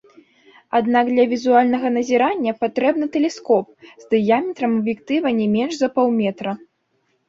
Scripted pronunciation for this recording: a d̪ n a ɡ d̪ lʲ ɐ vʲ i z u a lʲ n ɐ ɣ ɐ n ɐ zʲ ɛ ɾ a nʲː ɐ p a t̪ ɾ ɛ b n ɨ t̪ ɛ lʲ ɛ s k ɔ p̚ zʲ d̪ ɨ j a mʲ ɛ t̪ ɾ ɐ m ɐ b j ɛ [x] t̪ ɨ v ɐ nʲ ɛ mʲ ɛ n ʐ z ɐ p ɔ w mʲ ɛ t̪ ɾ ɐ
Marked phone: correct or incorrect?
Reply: incorrect